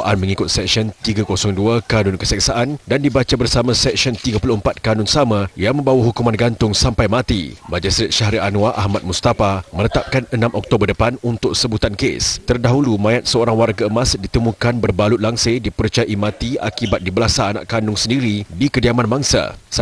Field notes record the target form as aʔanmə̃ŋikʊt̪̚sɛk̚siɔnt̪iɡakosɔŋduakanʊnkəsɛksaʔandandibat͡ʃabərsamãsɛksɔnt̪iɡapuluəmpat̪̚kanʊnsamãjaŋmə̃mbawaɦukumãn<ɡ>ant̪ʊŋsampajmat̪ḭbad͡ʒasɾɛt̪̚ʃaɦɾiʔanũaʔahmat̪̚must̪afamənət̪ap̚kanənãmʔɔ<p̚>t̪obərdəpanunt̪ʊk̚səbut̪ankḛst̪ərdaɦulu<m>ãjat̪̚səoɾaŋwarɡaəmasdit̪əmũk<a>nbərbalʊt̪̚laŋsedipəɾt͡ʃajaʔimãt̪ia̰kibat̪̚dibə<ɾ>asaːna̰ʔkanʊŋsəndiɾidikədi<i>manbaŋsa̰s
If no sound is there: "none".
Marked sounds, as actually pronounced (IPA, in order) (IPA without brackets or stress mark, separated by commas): ɡ, k̚, m, a, l, a